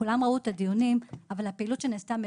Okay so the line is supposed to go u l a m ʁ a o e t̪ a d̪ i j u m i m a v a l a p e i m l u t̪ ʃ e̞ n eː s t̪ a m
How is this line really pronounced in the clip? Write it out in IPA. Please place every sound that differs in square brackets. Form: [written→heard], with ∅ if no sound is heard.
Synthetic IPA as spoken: u l a m ʁ a [o→u] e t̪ a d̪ i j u [m→n] i m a v a l a p e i [m→∅] l u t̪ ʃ e̞ n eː s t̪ a m